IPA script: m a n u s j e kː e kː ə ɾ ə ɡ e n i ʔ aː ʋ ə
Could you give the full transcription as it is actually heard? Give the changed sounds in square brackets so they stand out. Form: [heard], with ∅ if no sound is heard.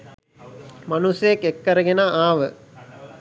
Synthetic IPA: m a n u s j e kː e kː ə ɾ ə ɡ e n [a] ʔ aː ʋ ə